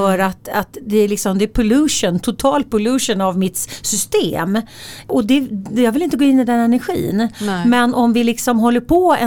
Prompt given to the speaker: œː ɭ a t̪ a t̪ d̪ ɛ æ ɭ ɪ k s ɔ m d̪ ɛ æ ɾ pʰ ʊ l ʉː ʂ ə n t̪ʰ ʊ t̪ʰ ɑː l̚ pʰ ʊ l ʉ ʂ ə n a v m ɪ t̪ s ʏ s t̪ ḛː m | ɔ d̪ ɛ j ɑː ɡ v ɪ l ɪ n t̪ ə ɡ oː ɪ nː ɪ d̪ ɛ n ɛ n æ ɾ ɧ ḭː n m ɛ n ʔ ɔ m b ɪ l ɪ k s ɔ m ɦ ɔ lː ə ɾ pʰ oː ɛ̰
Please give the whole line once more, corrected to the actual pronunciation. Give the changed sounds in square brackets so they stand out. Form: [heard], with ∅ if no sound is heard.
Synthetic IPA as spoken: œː [ɾ] a t̪ a t̪ d̪ ɛ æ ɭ ɪ k s ɔ m d̪ ɛ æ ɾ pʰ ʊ l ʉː ʂ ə n t̪ʰ ʊ t̪ʰ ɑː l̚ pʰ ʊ l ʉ ʂ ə n a v m ɪ t̪ s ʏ s t̪ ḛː m | ɔ d̪ ɛ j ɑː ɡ v ɪ l ɪ n t̪ ə ɡ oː ɪ nː ɪ d̪ ɛ n ɛ n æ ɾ ɧ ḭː n m ɛ n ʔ ɔ m [v] ɪ l ɪ k s ɔ m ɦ ɔ lː ə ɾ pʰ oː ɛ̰